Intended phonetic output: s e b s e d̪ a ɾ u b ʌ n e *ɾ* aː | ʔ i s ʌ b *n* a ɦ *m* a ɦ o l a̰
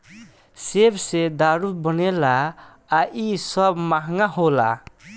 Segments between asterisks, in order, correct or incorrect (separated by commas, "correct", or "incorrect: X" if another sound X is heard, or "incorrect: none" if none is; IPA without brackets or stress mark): incorrect: l, incorrect: m, incorrect: ŋ